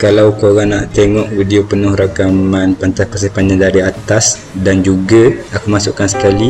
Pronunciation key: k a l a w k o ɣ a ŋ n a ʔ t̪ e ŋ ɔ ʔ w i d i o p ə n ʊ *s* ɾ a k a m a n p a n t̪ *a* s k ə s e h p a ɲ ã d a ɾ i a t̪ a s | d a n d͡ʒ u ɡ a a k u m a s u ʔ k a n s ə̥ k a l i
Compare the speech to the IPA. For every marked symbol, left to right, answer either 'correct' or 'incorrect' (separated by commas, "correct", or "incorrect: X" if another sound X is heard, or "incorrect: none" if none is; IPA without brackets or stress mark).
incorrect: h, correct